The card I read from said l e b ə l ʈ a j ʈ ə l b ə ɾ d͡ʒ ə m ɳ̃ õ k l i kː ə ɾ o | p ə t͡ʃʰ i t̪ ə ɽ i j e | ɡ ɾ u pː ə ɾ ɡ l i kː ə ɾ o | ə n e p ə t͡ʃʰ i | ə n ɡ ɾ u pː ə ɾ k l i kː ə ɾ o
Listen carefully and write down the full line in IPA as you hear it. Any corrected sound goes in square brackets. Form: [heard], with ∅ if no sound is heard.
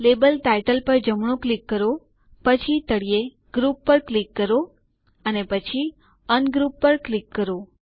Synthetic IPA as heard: l e b ə l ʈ a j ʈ ə l [p] ə ɾ d͡ʒ ə m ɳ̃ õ k l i kː ə ɾ o | p ə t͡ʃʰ i t̪ ə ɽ i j e | ɡ ɾ u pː ə ɾ [k] l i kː ə ɾ o | ə n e p ə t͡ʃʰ i | ə n ɡ ɾ u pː ə ɾ k l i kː ə ɾ o

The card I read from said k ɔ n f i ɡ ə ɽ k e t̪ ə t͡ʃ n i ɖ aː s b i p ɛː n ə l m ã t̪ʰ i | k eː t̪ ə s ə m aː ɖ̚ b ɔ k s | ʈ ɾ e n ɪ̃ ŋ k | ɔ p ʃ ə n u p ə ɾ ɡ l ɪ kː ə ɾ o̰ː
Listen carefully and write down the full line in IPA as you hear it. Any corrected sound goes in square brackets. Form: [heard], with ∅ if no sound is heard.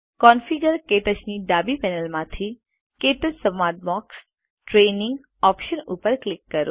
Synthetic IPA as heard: k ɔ n f i ɡ ə [ɾ] k e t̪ ə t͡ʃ n i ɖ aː [∅] b i p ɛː n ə l m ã t̪ʰ i | k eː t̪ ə s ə m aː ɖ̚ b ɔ k s | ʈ ɾ e n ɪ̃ ŋ [ɡ] | ɔ p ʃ ə n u p ə ɾ [k] l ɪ kː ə ɾ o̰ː

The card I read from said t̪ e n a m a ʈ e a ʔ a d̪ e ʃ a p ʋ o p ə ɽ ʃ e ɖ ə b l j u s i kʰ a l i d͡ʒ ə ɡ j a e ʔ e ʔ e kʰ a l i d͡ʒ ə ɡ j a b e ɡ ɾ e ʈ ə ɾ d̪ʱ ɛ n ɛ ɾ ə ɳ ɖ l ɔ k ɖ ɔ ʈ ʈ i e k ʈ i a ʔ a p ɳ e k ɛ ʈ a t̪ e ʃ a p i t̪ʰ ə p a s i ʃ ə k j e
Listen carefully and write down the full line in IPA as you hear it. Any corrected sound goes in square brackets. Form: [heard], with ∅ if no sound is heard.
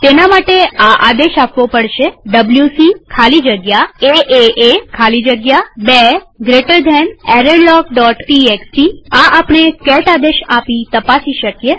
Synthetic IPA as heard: t̪ e n a m a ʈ e a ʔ a d̪ e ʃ a p ʋ o p ə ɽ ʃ e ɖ ə b l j u s i kʰ a l i d͡ʒ ə ɡ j a e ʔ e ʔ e kʰ a l i d͡ʒ ə ɡ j a b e ɡ ɾ e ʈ ə ɾ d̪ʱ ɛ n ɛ ɾ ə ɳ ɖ l ɔ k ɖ ɔ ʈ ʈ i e k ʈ i a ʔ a p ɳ e k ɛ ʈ a [d̪] e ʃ a p i [t̪] ə p a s i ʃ ə k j e

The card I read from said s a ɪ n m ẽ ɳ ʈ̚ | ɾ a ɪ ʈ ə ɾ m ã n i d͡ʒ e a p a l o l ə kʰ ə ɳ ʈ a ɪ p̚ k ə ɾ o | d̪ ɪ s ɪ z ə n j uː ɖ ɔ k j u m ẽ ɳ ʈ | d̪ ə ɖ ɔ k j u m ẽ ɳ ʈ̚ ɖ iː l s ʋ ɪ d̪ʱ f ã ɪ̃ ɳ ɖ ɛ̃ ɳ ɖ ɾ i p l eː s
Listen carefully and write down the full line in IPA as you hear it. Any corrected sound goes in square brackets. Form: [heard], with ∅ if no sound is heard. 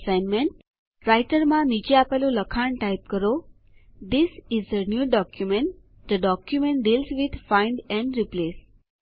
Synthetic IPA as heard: s a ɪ n m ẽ ɳ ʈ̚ | ɾ a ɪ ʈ ə ɾ m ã n i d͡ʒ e a p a l o l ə kʰ [a] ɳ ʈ a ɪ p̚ k ə ɾ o | d̪ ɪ s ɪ z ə n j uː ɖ ɔ k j u m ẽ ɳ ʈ | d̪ ə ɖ ɔ k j u m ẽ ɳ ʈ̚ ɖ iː l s ʋ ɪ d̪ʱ f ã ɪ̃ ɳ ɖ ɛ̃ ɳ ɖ ɾ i p l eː s

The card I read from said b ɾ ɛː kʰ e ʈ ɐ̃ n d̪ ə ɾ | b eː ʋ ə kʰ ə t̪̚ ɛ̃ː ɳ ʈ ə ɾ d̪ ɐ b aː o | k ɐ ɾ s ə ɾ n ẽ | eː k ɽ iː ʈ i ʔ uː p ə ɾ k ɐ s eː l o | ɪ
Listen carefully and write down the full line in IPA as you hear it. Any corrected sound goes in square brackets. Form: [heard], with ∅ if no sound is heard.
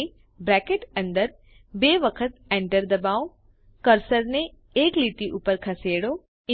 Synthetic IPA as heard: b ɾ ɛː [k] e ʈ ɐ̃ n d̪ ə ɾ | b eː ʋ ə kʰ ə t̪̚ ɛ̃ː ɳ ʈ ə ɾ d̪ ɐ b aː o | k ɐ ɾ s ə ɾ n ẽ | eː k [l] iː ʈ i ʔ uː p ə ɾ [kʰ] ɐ s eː [ɽ] o | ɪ

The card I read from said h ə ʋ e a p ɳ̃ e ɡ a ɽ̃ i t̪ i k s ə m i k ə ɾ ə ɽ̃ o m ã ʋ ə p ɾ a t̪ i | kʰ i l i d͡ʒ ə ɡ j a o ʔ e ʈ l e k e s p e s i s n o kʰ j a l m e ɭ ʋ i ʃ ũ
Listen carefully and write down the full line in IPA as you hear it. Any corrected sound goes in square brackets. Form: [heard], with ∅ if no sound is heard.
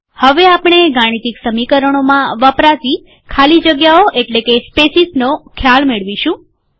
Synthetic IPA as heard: h ə ʋ e a p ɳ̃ e ɡ a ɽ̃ i t̪ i k s ə m i k ə ɾ ə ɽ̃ o m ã ʋ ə p ɾ a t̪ i | kʰ [a] l i d͡ʒ ə ɡ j a o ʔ e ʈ l e k e s p e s i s n o kʰ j a l m e ɭ ʋ i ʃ ũ

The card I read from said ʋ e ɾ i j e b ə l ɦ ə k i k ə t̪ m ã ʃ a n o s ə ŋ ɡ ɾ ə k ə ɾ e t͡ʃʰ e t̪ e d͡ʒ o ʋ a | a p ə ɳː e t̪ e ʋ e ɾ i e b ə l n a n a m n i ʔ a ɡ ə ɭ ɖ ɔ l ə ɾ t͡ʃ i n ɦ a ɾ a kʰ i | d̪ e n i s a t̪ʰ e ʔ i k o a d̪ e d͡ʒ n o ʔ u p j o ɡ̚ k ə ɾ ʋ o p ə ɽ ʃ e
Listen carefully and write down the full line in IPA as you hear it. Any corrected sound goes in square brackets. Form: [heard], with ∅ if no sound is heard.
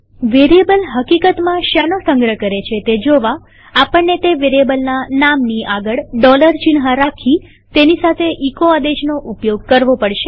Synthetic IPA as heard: ʋ e ɾ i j e b ə l ɦ ə k i k ə t̪ m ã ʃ a n o s ə ŋ ɡ ɾ ə k ə ɾ e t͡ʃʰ e t̪ e d͡ʒ o ʋ a | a p ə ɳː e t̪ e ʋ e ɾ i e b ə l n a n a m n i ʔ a ɡ ə ɭ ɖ ɔ l ə ɾ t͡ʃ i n ɦ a ɾ a kʰ i | [t̪] e n i s a t̪ʰ e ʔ i k o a d̪ e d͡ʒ n o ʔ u p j o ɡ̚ k ə ɾ ʋ o p ə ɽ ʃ e

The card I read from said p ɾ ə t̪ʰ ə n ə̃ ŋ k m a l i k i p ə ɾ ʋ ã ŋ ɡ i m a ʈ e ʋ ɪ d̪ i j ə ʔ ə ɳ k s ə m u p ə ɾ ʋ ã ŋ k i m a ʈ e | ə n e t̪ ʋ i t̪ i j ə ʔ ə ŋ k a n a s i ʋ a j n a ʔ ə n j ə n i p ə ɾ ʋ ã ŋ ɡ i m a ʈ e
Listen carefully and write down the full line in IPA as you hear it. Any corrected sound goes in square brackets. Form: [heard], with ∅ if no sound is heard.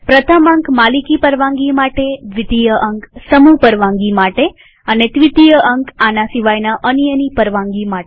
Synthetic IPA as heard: p ɾ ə t̪ʰ ə [m] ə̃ ŋ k m a l i k i p ə ɾ ʋ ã ŋ ɡ i m a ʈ e ʋ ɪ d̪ i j ə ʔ ə [ŋ] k s ə m u p ə ɾ ʋ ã ŋ [ɡ] i m a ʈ e | ə n e t̪ ʋ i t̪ i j ə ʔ ə ŋ k a n a s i ʋ a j n a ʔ ə n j ə n i p ə ɾ ʋ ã ŋ ɡ i m a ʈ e

